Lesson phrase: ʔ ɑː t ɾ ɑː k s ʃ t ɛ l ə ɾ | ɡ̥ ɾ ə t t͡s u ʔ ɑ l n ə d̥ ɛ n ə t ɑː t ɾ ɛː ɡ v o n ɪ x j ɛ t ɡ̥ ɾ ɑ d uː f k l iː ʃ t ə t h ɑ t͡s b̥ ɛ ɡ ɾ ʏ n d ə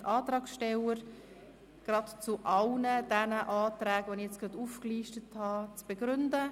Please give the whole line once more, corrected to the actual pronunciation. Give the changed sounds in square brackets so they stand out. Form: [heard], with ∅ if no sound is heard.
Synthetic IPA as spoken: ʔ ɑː t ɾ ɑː k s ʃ t ɛ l ə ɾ | ɡ̥ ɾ [ɑ] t t͡s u ʔ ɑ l n ə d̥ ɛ n ə [ʔ] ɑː t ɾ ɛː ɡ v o n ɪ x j ɛ [t͡s] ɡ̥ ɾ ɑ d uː f k l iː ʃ t ə t h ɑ t͡s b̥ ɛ ɡ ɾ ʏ n d ə